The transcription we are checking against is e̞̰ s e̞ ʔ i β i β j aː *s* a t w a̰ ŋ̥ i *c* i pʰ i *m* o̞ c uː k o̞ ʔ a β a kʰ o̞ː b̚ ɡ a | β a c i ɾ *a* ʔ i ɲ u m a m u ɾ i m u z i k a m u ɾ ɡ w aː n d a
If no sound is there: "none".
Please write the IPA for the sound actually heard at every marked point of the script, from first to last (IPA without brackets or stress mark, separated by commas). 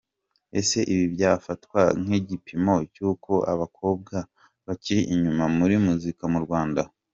f, ɟ, m, i